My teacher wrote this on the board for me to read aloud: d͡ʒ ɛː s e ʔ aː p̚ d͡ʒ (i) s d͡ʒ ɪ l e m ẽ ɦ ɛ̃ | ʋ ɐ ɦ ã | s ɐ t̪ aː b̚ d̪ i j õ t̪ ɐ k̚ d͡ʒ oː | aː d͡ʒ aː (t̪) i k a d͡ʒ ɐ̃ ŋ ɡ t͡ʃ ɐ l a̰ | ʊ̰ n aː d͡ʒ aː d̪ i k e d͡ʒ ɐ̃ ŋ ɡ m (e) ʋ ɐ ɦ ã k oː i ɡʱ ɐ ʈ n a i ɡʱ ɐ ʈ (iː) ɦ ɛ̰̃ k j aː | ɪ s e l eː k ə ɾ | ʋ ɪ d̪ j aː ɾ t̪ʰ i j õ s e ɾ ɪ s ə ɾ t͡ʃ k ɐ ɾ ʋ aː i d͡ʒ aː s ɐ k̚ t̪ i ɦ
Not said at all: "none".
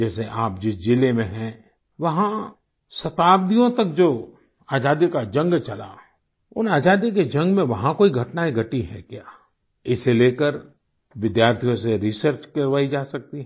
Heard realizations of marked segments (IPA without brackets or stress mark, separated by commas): ɪ, d̪, ẽ, i